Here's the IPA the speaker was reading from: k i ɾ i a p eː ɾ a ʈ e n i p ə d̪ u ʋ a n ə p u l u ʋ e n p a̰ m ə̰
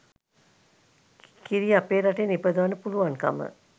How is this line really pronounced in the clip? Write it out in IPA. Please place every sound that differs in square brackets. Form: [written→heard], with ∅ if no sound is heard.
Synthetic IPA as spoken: k i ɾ i a p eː ɾ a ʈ e n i p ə d̪ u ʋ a n ə p u l u ʋ [e→a] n [p→k] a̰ m ə̰